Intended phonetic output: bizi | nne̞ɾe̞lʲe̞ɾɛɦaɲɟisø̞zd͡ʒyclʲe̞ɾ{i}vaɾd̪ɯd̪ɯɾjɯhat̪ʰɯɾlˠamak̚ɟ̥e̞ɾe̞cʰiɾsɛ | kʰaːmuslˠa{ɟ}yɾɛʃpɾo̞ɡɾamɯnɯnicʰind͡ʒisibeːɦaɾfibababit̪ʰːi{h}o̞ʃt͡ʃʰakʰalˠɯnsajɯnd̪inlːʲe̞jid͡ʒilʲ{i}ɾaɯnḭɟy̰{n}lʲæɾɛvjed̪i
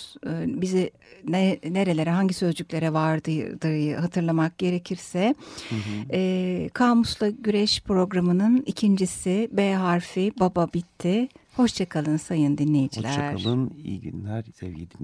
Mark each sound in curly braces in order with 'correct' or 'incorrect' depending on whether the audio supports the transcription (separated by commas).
incorrect, correct, correct, incorrect, correct